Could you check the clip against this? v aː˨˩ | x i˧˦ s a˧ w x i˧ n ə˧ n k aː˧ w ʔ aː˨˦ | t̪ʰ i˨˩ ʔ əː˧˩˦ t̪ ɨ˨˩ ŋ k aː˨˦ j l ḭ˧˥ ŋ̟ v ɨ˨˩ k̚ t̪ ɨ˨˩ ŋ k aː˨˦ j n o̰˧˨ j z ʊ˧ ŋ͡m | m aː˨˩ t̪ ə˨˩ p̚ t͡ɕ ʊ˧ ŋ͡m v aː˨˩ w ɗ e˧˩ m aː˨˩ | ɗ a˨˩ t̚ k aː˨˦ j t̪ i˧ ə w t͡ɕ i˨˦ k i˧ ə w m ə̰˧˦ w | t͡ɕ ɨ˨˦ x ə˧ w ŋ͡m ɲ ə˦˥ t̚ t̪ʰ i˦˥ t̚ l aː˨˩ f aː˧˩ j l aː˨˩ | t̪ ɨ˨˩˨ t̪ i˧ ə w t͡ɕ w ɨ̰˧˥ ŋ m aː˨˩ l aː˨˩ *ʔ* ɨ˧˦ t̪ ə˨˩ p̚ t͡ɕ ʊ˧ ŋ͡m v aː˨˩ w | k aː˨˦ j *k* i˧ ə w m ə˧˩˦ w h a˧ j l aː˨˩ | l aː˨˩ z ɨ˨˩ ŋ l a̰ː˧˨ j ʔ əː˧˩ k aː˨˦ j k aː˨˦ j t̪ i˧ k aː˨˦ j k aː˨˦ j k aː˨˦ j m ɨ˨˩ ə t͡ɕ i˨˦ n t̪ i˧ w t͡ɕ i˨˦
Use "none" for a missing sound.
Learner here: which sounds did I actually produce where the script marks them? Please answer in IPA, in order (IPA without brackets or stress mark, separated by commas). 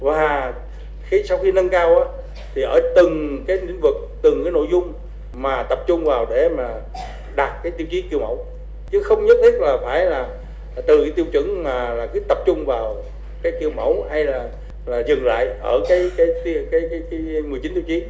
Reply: k, k